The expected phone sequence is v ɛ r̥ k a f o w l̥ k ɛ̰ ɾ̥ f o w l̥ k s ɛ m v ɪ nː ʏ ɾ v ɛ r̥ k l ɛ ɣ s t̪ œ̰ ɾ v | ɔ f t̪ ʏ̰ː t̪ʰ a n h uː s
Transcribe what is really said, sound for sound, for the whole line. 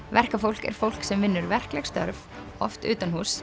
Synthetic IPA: v ɛ r̥ k a f o w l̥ k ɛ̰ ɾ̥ f o w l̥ k s ɛ m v ɪ nː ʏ ɾ v ɛ r̥ k l ɛ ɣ s t̪ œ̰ ɾ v | ɔ f t̪ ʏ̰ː t̪ a n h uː s